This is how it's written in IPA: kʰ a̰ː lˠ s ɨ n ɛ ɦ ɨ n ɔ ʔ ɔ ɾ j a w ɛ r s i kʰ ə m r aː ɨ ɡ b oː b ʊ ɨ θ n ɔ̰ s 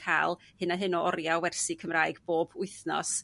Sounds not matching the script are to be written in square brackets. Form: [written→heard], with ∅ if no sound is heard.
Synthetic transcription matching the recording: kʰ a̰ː lˠ [s→h] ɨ n [ɛ→a] ɦ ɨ n ɔ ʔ ɔ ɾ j a w ɛ r s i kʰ ə m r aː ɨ ɡ b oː b ʊ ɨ θ n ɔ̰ s